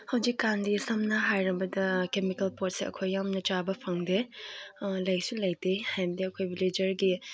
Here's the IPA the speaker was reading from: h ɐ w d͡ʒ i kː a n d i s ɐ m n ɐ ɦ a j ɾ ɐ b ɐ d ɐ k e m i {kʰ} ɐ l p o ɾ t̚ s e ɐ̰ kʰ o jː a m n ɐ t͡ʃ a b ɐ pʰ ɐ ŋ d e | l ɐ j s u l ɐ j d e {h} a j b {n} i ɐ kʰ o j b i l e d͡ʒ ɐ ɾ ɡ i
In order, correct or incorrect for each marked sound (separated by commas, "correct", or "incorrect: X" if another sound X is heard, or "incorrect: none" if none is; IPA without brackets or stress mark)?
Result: incorrect: k, correct, incorrect: d